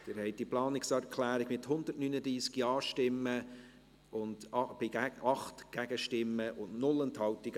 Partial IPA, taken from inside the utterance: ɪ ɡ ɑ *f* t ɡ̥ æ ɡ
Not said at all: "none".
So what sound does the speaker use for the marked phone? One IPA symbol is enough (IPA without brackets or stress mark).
χ